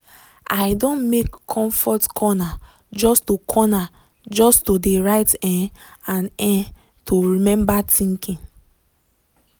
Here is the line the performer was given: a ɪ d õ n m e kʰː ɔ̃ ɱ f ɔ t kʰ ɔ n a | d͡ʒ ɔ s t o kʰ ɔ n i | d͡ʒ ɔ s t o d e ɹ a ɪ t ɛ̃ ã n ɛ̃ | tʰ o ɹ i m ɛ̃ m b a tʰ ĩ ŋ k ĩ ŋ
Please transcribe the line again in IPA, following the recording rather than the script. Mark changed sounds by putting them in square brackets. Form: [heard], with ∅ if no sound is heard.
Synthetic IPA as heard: a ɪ d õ n m e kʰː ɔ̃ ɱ f ɔ t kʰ ɔ n a | d͡ʒ ɔ s t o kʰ ɔ n [a] | d͡ʒ ɔ s t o d e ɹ a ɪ t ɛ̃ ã n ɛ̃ | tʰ o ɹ i m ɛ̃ m b a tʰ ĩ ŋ k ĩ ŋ